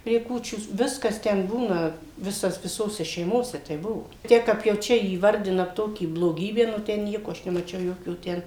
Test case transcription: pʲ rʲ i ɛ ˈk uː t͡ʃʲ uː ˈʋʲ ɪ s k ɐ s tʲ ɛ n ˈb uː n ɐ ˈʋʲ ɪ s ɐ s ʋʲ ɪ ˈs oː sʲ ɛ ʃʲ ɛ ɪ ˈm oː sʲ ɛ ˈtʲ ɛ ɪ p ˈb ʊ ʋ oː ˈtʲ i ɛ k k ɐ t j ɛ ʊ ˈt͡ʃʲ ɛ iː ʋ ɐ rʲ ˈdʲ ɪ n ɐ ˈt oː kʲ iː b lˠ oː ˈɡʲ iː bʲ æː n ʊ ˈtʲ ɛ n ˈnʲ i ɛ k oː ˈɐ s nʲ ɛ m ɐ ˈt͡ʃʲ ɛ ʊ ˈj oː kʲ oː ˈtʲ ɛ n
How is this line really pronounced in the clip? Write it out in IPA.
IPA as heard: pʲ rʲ i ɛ ˈk uː t͡ʃʲ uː ˈʋʲ ɪ s k ɐ s tʲ ɛ n ˈb uː n ɐ ˈʋʲ ɪ s ɐ s ʋʲ ɪ ˈs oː sʲ ɛ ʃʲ ɛ ɪ ˈm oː sʲ ɛ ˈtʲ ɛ ɪ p ˈb ʊ ʋ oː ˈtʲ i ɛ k k ɐ p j ɛ ʊ ˈt͡ʃʲ ɛ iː ʋ ɐ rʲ ˈdʲ ɪ n ɐ ˈt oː kʲ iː b lˠ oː ˈɡʲ iː bʲ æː n ʊ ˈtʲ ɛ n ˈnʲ i ɛ k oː ˈɐ ʃ nʲ ɛ m ɐ ˈt͡ʃʲ ɛ ʊ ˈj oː kʲ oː ˈtʲ ɛ n